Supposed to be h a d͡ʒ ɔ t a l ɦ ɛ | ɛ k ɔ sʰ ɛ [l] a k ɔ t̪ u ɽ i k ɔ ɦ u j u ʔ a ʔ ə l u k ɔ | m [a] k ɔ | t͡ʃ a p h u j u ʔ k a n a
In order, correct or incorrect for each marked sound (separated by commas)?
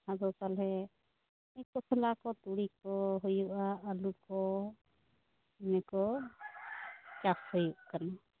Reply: correct, incorrect